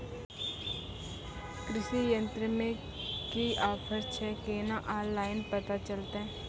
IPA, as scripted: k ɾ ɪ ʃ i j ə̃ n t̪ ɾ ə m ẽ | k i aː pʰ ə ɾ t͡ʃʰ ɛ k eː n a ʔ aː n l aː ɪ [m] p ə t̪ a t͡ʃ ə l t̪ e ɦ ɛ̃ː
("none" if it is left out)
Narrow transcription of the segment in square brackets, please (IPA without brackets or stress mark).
n